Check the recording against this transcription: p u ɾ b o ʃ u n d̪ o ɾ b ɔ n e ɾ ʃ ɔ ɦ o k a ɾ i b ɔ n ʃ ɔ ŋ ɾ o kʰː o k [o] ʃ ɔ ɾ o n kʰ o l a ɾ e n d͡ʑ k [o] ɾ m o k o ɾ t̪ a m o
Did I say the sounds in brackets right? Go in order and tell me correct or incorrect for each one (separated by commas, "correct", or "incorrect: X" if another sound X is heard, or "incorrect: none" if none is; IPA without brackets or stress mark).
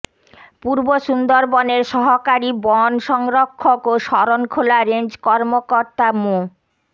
correct, incorrect: ɔ